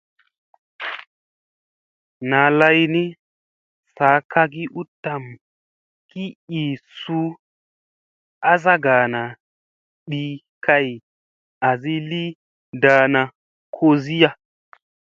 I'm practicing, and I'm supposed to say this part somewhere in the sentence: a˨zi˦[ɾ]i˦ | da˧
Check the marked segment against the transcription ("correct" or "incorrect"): incorrect